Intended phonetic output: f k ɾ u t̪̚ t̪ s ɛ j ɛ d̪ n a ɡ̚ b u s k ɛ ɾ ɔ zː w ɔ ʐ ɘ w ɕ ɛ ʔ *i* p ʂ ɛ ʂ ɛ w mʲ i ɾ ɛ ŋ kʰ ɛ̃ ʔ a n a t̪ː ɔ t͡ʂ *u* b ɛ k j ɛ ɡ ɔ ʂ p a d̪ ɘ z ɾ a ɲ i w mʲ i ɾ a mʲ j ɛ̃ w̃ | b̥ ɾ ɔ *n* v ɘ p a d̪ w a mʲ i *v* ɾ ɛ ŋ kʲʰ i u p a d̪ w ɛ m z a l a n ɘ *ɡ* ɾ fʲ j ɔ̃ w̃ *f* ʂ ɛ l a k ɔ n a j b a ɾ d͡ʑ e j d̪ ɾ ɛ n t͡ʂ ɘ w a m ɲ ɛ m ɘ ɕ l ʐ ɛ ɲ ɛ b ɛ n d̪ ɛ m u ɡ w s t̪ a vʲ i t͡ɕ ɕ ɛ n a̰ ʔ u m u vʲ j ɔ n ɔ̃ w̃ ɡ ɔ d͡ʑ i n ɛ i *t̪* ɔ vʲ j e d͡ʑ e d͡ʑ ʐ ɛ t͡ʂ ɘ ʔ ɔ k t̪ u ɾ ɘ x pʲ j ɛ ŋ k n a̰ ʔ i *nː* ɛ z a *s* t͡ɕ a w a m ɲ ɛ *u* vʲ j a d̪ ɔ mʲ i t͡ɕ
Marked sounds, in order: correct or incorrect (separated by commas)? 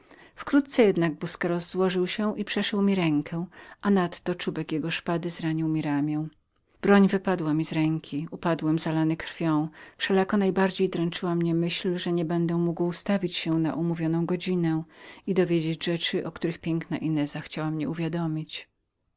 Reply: correct, correct, incorrect, incorrect, incorrect, correct, incorrect, incorrect, incorrect, correct